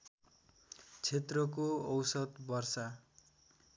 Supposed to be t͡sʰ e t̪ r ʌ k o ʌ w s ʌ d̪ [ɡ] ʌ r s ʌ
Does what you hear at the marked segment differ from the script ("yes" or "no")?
yes